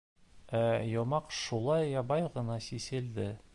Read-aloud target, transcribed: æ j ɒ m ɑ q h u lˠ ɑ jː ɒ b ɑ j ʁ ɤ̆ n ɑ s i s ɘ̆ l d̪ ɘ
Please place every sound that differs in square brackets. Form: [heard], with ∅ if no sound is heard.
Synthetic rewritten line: æ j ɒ m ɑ q [ʃ] u lˠ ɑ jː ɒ b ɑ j ʁ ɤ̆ n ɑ s i s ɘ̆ l d̪ ɘ